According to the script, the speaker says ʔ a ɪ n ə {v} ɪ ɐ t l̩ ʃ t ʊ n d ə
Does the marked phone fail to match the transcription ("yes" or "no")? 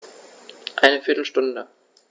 yes